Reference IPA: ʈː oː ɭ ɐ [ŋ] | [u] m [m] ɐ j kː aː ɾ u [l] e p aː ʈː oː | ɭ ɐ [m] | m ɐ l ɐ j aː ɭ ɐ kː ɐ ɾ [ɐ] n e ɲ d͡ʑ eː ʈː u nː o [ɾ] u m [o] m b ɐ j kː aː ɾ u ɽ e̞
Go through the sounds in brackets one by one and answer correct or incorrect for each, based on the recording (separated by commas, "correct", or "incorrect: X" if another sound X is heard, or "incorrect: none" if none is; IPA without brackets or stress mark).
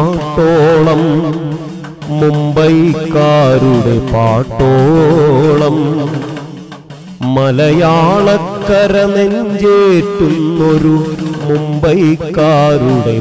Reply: incorrect: m, correct, incorrect: b, incorrect: ɽ, correct, correct, correct, incorrect: u